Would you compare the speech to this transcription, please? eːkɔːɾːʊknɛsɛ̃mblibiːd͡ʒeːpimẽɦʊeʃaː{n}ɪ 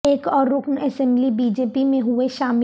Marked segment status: incorrect: m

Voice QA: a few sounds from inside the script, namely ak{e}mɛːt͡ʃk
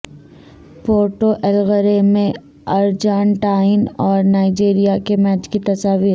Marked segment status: correct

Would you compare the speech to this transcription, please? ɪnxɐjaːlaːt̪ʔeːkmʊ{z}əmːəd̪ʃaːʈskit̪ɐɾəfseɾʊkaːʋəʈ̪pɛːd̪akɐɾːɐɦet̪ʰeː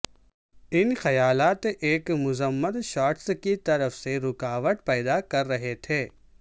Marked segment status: correct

